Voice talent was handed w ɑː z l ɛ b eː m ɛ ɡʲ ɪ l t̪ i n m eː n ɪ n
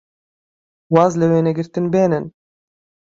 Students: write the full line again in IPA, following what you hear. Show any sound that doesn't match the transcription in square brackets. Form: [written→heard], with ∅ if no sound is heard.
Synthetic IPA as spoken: w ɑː z l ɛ [b→w] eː [m→n] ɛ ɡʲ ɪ [l→ɾ] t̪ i n [m→b] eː n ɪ n